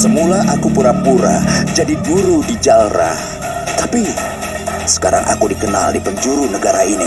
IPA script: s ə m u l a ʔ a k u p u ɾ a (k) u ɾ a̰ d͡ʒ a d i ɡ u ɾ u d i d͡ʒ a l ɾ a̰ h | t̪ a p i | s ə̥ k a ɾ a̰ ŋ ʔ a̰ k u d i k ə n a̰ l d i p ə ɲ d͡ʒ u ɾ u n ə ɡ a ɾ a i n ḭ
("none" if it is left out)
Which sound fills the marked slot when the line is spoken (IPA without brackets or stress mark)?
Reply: p